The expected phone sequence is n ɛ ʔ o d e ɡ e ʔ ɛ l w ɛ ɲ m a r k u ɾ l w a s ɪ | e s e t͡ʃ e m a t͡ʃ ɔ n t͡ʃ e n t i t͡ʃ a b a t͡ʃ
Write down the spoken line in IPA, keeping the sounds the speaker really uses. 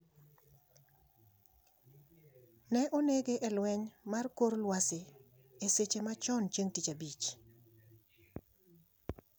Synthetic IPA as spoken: n ɛ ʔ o n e ɡ e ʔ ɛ l w ɛ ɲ m a r k o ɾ l w a s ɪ | e s e t͡ʃ e m a t͡ʃ ɔ n t͡ʃ e ŋ t i t͡ʃ a b i t͡ʃ

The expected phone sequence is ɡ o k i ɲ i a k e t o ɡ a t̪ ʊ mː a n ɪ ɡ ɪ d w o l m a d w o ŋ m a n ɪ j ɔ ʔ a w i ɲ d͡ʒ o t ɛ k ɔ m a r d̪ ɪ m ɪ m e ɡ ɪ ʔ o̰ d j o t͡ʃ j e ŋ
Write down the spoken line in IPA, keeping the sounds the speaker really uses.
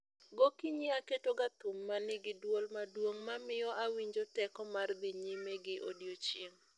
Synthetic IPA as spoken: ɡ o k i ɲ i a k e t o ɡ a t̪ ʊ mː a n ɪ ɡ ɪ d w o l m a d w o ŋ m a m ɪ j ɔ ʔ a w i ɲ d͡ʒ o t ɛ k ɔ m a r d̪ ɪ ɲ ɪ m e ɡ ɪ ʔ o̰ d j o t͡ʃ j e ŋ

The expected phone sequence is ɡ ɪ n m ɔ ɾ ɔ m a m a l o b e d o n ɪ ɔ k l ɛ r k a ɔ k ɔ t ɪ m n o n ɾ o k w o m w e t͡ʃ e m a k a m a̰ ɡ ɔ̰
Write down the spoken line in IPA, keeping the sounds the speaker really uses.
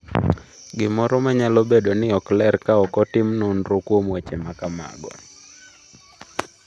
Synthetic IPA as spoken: ɡ ɪ m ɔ ɾ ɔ m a ɲ a l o b e d o n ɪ ɔ k l ɛ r k a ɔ k ɔ t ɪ m n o n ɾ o k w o m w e t͡ʃ e m a k a m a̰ ɡ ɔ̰

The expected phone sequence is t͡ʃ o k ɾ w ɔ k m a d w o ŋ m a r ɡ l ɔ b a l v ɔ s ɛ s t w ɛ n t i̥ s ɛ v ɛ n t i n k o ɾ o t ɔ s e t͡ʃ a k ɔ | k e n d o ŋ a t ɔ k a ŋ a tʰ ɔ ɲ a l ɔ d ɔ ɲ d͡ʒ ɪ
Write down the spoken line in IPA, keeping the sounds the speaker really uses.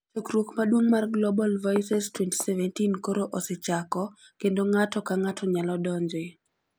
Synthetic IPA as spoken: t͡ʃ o k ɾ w o k m a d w o ŋ m a r ɡ l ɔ b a l v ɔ s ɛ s t w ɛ n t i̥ s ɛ v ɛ n t i n k o ɾ o ʔ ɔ s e t͡ʃ a k ɔ | k e n d o ŋ a t ɔ k a ŋ a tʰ ɔ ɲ a l ɔ d ɔ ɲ d͡ʒ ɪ

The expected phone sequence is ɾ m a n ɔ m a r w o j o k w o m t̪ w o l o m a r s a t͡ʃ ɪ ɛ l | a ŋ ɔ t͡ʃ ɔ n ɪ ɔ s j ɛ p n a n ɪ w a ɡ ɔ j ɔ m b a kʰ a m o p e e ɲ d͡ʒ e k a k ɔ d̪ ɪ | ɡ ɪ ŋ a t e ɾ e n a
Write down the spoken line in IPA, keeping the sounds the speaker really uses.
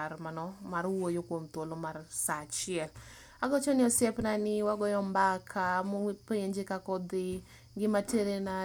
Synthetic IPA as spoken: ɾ m a n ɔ m a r w o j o k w o m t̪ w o l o m a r s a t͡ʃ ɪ ɛ l | a ɡ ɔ t͡ʃ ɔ n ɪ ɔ s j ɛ p n a n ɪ w a ɡ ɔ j ɔ m b a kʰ a m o p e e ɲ d͡ʒ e k a k ɔ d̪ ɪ | ɡ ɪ m a t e ɾ e n a

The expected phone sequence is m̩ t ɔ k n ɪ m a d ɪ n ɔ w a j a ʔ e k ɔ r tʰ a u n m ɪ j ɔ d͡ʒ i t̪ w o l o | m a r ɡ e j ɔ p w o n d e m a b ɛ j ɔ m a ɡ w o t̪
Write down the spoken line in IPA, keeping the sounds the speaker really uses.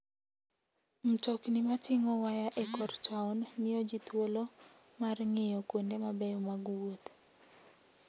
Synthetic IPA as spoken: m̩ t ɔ k n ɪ m a t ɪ ŋ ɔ w a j a ʔ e k ɔ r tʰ a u n m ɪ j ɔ d͡ʒ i t̪ w o l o | m a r ŋ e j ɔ k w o n d e m a b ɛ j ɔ m a ɡ w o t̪

